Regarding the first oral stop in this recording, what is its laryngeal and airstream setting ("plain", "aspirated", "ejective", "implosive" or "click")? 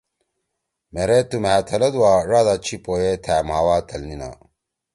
plain